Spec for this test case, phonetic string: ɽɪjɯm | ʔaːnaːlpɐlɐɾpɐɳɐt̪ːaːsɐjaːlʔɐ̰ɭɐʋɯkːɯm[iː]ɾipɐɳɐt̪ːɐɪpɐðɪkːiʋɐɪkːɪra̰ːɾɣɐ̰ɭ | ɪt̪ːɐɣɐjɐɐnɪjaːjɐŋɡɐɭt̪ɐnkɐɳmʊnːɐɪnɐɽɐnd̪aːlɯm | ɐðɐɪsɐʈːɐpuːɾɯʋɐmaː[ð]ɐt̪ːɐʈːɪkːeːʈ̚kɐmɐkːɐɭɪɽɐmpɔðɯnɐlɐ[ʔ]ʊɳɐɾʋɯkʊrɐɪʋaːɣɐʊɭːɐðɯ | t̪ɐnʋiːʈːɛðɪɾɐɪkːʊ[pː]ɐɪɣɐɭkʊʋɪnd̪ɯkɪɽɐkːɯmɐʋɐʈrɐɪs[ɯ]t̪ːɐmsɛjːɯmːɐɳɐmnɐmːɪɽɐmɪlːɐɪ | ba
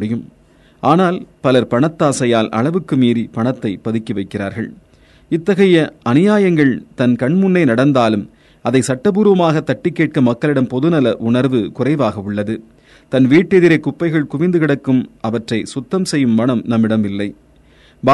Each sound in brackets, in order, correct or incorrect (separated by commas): correct, incorrect, correct, correct, incorrect